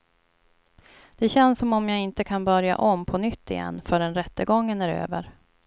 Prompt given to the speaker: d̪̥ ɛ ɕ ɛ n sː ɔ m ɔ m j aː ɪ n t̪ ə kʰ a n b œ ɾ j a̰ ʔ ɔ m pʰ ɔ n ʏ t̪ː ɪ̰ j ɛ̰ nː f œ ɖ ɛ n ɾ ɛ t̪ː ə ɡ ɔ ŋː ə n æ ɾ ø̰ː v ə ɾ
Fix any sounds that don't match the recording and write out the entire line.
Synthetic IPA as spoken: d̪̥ ɛ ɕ ɛ n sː ɔ m ɔ m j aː ɪ n t̪ ə kʰ a n b œ ɾ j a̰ ʔ ɔ m pʰ ɔ n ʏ t̪ː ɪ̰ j ɛ̰ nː f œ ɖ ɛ n ɾ ɛ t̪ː ə ɡ ɔ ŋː ə n æ ɾ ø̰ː v ə ɾ